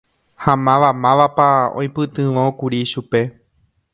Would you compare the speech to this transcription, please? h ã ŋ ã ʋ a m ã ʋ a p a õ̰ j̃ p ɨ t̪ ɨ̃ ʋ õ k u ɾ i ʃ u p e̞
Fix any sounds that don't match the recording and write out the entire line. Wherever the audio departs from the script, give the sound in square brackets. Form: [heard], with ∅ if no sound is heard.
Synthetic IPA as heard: h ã [m] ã ʋ a m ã ʋ a p a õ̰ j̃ p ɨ t̪ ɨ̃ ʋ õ k u ɾ i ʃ u p e̞